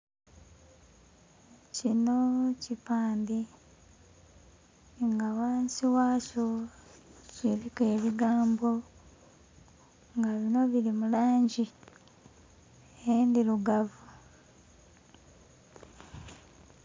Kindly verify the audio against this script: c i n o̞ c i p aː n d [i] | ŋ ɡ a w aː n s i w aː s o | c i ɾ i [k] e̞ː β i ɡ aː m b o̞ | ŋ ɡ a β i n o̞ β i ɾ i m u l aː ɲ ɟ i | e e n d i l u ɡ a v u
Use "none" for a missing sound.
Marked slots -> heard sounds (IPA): i, k

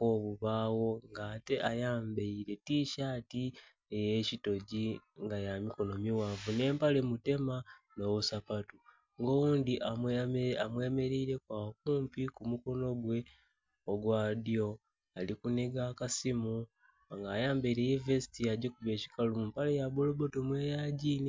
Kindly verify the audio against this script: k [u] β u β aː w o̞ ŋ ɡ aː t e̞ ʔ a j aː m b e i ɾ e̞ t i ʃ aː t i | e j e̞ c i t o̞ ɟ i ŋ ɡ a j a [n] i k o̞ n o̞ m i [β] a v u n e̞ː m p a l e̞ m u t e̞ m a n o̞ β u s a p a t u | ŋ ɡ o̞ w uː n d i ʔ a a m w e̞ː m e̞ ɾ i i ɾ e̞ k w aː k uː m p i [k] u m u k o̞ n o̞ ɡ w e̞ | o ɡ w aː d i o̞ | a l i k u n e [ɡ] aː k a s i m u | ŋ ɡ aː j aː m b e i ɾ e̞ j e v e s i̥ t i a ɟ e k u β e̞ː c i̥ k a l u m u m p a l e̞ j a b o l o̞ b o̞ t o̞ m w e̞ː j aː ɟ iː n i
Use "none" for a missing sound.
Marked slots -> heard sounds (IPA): o, m, w, k, ɡ

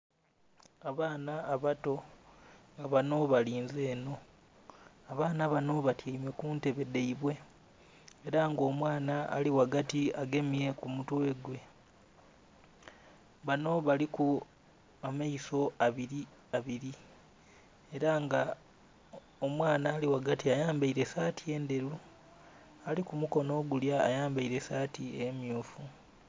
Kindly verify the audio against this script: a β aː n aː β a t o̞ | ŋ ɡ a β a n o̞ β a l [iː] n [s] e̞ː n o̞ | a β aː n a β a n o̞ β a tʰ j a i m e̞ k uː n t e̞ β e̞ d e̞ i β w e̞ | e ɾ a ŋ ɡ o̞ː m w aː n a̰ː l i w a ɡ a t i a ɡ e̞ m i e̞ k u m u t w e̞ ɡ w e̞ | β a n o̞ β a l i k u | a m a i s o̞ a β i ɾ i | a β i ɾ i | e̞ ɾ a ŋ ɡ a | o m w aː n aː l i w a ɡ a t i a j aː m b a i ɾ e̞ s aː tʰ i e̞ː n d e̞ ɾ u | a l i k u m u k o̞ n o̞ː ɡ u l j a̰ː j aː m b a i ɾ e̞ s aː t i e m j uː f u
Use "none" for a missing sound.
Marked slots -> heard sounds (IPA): iː, z

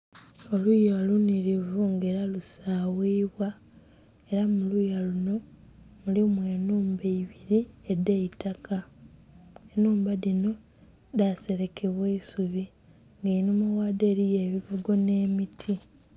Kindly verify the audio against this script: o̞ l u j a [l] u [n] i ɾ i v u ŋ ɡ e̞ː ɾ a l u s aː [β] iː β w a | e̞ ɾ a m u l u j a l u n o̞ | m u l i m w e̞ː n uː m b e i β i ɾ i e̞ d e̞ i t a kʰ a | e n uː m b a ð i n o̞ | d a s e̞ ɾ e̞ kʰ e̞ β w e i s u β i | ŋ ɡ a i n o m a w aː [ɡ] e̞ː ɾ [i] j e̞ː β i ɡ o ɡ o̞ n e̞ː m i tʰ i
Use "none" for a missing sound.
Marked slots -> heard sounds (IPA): l, n, w, d, i

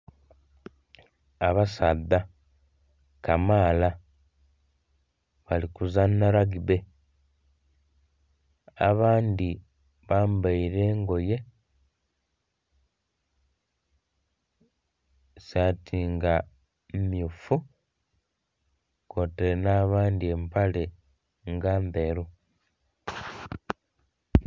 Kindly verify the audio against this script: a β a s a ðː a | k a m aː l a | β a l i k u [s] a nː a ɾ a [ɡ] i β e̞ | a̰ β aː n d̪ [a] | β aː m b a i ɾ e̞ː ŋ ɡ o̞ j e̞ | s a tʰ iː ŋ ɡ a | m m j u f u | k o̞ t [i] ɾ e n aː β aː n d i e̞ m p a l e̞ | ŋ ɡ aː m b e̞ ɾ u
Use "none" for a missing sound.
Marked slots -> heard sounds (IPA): z, ɡ, i, e

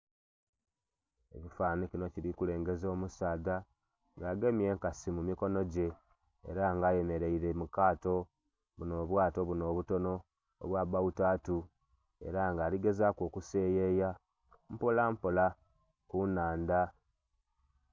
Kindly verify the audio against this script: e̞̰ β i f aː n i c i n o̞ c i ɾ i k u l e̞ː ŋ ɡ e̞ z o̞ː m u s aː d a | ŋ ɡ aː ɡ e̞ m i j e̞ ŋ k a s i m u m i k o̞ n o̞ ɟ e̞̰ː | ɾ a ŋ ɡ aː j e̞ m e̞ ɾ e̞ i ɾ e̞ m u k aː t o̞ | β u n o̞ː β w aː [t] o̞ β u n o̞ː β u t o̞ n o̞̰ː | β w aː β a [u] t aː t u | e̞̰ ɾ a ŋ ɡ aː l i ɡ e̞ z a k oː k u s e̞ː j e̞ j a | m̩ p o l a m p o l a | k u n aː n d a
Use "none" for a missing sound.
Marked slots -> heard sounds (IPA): t, u

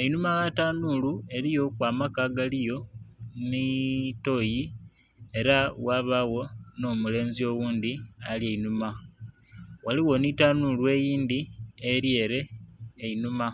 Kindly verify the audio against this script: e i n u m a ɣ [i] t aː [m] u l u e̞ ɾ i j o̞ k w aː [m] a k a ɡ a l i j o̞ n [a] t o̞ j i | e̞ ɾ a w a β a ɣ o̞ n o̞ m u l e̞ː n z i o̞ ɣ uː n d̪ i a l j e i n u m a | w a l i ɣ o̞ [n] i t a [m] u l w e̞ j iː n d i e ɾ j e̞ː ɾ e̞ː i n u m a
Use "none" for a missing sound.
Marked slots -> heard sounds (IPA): a, n, m, i, n, n

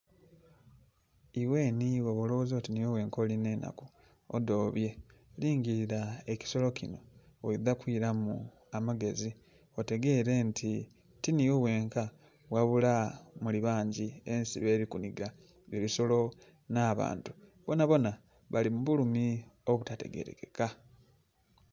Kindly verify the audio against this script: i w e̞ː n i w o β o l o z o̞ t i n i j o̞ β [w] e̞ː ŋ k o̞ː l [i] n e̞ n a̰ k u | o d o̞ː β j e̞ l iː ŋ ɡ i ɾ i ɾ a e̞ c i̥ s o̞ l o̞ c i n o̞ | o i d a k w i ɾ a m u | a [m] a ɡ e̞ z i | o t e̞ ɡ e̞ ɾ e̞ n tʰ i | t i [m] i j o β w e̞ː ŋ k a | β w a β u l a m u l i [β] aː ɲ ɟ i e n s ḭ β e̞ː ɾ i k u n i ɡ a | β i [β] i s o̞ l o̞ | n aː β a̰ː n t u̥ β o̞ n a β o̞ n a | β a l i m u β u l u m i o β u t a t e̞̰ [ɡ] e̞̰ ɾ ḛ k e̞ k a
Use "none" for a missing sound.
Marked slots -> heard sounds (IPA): w, i, m, n, β, β, ɡ

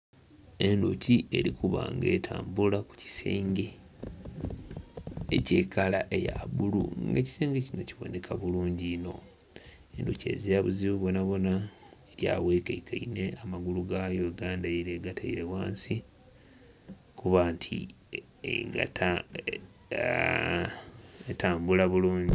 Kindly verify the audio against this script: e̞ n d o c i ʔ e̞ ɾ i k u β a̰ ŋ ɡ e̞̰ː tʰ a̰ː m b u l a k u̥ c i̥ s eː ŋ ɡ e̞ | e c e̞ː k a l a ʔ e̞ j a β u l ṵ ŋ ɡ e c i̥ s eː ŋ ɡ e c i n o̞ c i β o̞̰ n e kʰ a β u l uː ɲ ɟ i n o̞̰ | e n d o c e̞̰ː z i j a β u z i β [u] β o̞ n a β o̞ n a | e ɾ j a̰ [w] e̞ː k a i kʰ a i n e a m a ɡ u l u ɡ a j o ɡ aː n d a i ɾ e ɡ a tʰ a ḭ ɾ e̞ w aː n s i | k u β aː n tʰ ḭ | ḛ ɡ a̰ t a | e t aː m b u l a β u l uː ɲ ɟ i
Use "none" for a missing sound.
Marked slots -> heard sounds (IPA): u, w

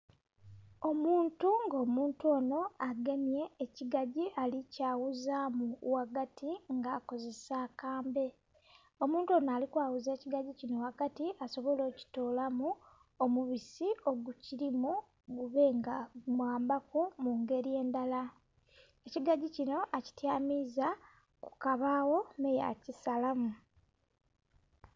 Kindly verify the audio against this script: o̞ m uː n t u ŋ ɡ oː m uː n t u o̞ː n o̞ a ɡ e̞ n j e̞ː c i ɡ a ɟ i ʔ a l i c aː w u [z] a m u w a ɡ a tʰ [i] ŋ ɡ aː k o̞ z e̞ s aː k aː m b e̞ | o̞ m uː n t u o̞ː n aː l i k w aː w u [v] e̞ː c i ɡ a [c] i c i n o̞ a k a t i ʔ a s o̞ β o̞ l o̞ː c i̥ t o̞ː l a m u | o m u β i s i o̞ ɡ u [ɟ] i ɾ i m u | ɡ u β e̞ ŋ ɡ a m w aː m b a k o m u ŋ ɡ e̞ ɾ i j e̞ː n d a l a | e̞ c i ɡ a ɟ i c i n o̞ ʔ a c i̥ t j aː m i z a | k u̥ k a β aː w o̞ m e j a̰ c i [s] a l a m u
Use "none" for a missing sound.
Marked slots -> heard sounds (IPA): z, i, z, ɟ, c, s

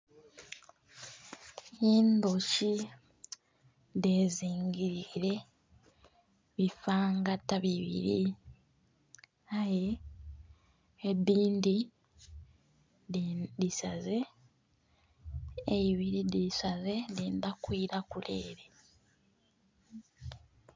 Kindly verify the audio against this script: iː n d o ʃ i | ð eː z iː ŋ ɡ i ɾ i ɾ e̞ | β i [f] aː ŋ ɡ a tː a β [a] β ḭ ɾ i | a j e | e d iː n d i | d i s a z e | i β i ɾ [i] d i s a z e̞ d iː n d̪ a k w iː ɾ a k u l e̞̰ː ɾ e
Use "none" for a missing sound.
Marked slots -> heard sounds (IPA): f, i, i

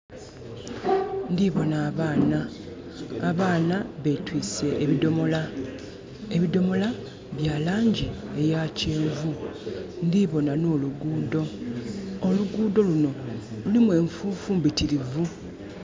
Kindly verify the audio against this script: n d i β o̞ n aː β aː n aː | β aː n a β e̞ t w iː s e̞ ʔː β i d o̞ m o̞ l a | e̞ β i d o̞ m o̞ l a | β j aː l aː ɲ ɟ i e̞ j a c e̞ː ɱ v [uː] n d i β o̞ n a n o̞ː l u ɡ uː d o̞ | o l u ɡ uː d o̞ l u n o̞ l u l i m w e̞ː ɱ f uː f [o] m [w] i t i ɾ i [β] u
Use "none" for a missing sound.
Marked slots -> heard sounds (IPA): u, u, b, v

